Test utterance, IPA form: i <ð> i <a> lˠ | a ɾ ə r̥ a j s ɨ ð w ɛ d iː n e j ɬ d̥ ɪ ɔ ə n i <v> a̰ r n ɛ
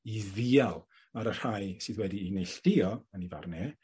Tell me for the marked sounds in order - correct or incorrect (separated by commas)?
correct, correct, correct